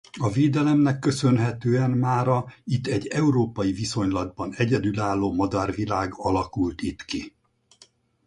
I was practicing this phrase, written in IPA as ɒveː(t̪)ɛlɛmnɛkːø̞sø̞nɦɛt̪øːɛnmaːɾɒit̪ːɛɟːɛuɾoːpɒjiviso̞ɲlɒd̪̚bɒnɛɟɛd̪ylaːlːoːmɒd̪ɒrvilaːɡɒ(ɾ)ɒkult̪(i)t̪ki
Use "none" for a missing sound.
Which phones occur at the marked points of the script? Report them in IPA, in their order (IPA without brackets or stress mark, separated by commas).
d̪, l, i